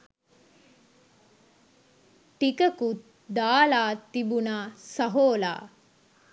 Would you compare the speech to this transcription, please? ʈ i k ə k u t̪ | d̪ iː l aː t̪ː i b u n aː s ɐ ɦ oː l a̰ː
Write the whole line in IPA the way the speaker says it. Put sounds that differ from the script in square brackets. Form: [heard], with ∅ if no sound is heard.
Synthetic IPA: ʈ i k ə k u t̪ | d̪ [aː] l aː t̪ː i b u n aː s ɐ ɦ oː l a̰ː